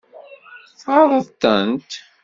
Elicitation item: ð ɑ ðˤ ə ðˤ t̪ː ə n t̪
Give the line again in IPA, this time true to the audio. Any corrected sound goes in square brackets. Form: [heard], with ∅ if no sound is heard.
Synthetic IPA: [θ] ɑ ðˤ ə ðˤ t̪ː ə n t̪